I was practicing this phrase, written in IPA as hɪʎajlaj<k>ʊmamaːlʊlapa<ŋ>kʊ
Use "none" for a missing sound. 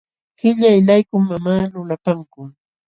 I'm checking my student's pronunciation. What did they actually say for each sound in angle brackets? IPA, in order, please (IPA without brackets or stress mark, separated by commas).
k, ŋ